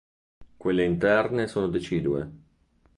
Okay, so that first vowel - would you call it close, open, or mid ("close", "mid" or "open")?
mid